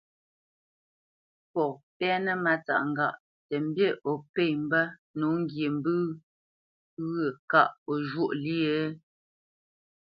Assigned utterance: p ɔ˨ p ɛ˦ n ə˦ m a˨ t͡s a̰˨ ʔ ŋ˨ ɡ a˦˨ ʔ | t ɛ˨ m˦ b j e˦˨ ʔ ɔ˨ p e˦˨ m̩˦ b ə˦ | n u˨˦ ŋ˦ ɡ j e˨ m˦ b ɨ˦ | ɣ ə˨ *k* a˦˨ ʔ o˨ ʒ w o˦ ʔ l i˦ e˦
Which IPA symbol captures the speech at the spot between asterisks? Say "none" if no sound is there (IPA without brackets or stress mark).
k